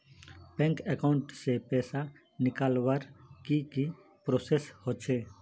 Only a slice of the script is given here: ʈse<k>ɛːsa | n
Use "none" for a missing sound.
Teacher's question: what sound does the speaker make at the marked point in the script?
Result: p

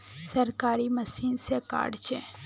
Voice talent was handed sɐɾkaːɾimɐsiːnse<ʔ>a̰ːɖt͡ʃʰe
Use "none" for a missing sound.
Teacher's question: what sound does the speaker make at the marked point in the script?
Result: k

